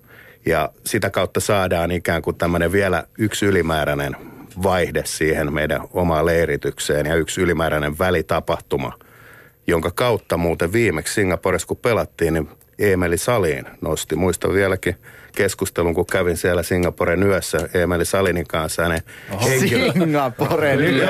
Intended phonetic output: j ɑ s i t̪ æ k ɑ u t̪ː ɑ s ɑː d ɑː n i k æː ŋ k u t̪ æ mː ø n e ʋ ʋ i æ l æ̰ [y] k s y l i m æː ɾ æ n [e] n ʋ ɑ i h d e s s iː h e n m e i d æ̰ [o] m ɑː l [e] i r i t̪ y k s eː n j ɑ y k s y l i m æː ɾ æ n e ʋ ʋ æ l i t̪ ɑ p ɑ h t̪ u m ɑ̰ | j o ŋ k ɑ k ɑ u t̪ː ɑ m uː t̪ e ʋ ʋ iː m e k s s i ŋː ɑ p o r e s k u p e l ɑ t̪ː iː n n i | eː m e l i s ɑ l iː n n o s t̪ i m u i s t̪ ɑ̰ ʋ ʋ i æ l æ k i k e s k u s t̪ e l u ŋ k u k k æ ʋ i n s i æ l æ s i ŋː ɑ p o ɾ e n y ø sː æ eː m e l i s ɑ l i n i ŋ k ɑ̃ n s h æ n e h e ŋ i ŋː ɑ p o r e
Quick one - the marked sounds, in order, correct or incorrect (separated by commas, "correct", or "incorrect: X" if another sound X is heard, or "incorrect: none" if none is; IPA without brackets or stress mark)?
correct, correct, correct, correct